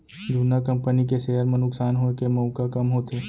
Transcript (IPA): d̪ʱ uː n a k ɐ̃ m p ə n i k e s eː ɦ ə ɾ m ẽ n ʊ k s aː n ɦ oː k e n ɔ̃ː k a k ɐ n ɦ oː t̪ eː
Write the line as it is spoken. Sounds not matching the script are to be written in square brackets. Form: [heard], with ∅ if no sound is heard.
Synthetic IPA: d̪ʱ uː n a k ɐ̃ m p ə n i k e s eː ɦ ə ɾ m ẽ n ʊ k s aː n ɦ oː k e [m] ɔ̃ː k a k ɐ [m] ɦ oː t̪ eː